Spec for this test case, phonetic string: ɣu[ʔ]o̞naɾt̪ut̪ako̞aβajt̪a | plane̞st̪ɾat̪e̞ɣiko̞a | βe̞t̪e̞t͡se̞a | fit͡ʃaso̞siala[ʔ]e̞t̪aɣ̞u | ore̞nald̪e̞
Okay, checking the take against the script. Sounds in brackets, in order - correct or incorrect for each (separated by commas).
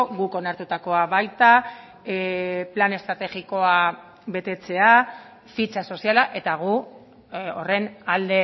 incorrect, correct